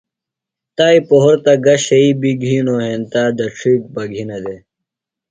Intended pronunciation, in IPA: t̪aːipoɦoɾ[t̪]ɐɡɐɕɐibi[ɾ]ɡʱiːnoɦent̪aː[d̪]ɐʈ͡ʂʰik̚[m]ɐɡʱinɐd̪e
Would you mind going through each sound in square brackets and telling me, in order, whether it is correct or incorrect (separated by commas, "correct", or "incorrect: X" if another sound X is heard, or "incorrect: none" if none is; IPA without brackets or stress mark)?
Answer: correct, incorrect: none, correct, incorrect: b